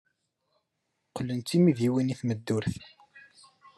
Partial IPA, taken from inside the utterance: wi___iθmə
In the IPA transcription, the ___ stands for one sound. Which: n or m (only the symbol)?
n